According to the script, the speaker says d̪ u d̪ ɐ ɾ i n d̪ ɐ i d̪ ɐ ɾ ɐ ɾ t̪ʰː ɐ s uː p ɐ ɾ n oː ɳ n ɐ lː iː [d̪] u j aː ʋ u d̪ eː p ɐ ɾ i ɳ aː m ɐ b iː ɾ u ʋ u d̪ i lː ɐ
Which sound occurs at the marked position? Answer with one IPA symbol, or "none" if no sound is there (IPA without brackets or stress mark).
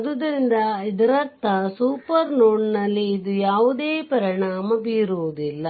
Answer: d̪